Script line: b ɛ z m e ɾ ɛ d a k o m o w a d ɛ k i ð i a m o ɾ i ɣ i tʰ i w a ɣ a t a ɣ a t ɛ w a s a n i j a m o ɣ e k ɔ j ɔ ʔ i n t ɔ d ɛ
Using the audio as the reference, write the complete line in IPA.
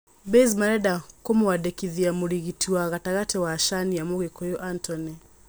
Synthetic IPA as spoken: b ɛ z m a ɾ ɛ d a k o m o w a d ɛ k i ð i a m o ɾ i ɣ i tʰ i w a ɣ a t a ɣ a t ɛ w a ʃ a n i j a m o ɣ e k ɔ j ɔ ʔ a n t ɔ n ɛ